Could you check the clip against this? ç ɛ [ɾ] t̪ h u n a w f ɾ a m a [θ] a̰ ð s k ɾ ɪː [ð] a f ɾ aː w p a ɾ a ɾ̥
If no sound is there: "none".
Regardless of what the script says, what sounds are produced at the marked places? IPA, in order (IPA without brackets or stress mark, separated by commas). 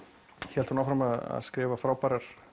l, ð, v